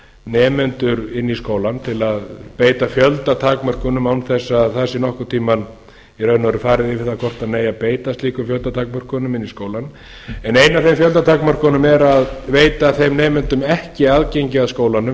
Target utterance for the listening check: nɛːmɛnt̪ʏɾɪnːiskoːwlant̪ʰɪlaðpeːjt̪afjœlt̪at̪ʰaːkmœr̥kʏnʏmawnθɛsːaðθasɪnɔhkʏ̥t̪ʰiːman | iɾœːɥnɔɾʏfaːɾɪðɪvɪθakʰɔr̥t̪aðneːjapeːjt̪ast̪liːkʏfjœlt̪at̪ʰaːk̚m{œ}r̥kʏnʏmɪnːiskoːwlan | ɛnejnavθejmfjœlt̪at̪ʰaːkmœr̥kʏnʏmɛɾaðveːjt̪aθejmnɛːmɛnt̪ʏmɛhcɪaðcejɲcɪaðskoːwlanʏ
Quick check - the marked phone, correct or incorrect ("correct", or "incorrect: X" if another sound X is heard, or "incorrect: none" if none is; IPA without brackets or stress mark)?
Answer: correct